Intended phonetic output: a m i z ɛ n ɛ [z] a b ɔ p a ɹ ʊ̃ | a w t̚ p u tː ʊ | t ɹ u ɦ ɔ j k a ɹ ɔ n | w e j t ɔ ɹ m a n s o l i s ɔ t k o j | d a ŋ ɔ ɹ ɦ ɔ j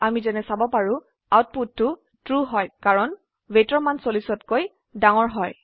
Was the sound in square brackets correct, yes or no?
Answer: no